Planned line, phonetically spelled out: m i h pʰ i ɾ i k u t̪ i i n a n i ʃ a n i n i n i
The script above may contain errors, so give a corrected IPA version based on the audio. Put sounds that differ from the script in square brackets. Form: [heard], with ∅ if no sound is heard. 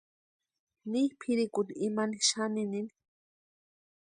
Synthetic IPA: [n] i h pʰ i ɾ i k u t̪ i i [m] a n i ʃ a n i n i n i